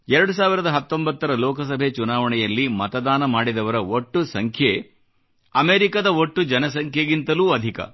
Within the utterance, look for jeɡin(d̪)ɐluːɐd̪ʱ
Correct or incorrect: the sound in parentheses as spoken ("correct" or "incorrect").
incorrect